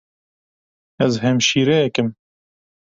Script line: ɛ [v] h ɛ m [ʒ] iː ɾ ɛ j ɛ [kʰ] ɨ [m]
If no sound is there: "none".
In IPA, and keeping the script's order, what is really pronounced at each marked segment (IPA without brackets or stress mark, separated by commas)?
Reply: z, ʃ, k, m